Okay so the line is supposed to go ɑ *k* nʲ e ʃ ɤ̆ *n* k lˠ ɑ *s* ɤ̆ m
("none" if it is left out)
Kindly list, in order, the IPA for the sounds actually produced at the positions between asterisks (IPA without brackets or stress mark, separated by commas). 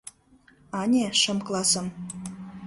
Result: none, m, s